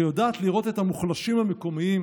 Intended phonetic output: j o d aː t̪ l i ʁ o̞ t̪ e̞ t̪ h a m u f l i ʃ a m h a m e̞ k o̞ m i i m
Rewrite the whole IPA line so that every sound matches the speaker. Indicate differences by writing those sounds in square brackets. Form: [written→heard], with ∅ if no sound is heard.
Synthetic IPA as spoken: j o d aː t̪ l i ʁ o̞ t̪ e̞ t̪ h a m u [f→χ] l [i→a] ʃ [a→i] m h a m e̞ k o̞ m i i m